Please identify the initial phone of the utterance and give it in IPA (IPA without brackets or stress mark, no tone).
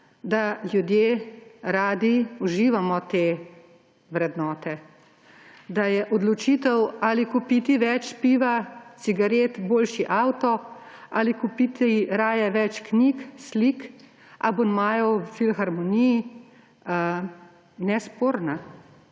d̪